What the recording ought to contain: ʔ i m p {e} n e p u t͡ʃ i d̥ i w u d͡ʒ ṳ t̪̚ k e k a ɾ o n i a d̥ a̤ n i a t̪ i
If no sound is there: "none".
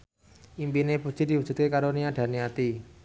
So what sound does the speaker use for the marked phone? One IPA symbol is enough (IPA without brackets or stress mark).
i